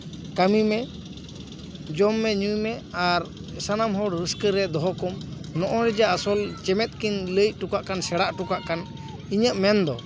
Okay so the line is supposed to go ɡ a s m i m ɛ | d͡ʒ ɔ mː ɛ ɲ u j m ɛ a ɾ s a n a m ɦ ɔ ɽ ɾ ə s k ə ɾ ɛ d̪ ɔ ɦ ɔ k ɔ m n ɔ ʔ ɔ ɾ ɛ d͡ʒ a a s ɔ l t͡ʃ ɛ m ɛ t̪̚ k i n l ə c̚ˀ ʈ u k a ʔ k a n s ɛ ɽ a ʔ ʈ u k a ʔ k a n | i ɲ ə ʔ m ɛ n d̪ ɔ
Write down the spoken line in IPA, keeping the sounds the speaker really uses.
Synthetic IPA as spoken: k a m i m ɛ | d͡ʒ ɔ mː ɛ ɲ u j m ɛ a ɾ s a n a m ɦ ɔ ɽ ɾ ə s k ə ɾ ɛ d̪ ɔ ɦ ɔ k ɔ m n ɔ ʔ ɔ ɾ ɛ d͡ʒ a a s ɔ l t͡ʃ ɛ m ɛ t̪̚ k i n l ə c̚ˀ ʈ u k a ʔ k a n s ɛ ɽ a ʔ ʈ u k a ʔ k a n | i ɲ ə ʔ m ɛ n d̪ ɔ